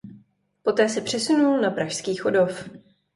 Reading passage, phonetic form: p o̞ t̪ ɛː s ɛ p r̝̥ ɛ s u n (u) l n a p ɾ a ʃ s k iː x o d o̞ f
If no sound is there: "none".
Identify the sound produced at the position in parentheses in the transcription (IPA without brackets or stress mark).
u